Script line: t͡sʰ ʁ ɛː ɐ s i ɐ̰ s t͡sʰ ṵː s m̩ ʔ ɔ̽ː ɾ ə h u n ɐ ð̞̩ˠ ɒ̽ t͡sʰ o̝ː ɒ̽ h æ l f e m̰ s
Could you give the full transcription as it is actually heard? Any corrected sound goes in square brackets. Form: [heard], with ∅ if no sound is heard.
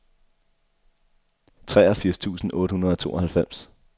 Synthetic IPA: t͡sʰ ʁ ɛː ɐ [f] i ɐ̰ s t͡sʰ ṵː s [n̩] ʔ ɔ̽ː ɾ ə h u n ɐ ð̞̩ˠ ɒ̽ t͡sʰ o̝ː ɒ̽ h æ l f e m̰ s